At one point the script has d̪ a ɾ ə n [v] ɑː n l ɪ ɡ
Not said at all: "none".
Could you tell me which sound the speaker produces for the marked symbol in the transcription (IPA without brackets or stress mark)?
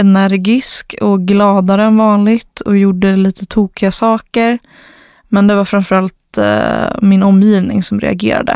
v